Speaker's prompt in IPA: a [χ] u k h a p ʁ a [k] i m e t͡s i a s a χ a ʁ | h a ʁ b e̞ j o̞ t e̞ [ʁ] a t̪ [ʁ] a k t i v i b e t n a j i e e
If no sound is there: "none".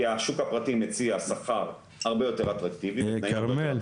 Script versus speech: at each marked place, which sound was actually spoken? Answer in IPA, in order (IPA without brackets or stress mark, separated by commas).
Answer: ʃ, t, ʁ, ʁ